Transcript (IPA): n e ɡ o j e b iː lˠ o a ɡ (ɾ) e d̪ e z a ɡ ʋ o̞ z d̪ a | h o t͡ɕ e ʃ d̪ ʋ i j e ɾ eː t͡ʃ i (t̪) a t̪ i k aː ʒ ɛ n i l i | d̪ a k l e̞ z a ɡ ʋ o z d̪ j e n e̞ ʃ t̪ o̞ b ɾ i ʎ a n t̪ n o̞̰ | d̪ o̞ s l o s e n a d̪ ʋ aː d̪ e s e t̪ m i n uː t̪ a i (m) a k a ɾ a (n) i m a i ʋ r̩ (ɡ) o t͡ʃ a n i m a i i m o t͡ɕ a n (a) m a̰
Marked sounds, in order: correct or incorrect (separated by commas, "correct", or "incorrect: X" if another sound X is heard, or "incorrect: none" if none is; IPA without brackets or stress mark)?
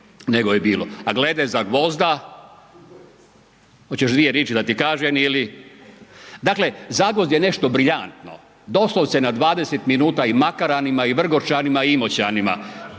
incorrect: l, incorrect: d̪, correct, correct, correct, incorrect: i